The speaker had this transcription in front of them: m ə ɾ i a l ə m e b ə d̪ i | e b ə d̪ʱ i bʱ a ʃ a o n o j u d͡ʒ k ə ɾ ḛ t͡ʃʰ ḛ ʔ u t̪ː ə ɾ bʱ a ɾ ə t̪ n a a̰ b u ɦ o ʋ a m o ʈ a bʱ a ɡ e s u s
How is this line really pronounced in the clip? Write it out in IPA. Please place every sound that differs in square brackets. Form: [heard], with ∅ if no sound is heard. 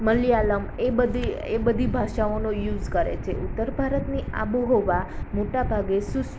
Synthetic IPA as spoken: m ə [l] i a l ə m e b ə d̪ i | e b ə d̪ʱ i bʱ a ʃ a o n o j u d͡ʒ k ə ɾ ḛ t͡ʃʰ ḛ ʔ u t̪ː ə ɾ bʱ a ɾ ə t̪ n [i] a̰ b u ɦ o ʋ a m o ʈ a bʱ a ɡ e s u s